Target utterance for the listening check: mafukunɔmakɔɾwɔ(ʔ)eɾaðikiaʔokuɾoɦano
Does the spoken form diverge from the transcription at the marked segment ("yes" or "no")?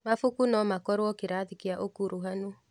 yes